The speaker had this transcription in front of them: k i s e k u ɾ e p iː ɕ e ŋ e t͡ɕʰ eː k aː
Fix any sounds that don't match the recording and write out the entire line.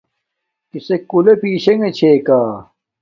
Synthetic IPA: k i s e k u l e p iː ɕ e ŋ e t͡ɕʰ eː k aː